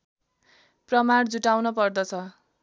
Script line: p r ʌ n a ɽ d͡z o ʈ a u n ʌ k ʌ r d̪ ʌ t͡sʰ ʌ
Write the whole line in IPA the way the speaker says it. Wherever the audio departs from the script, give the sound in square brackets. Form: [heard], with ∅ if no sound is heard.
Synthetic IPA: p r ʌ [m] a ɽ d͡z [u] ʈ a [w] n ʌ [p] ʌ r d̪ ʌ t͡sʰ ʌ